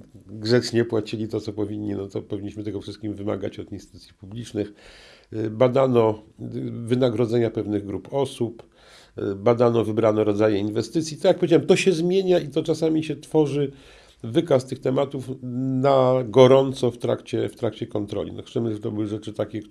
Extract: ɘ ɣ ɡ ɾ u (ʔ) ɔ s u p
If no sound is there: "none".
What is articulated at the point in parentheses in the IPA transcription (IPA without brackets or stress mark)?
p